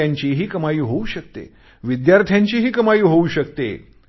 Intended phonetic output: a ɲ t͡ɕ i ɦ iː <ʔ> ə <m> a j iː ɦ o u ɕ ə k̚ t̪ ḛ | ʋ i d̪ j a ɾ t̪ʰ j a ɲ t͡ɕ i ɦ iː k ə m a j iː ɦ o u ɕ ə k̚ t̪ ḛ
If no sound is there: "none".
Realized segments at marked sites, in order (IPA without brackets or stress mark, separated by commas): k, m